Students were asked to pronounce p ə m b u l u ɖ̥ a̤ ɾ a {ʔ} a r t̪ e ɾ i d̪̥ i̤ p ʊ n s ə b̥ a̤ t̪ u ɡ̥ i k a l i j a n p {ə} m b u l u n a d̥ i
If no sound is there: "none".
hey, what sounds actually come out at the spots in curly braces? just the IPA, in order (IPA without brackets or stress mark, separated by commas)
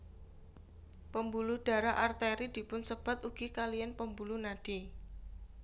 ʔ, ə